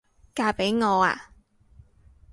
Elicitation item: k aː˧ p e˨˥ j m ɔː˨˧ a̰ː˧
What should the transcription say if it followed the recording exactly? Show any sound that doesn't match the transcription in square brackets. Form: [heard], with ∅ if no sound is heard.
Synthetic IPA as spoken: k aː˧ p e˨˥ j [ŋ] ɔː˨˧ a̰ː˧